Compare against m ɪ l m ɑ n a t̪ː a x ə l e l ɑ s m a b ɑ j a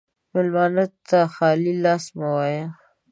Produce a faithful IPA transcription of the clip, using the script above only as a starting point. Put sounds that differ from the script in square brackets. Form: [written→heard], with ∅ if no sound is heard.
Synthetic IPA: m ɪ l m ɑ n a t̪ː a x [ə→ɑ] l [e→i] l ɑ s m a [b→w] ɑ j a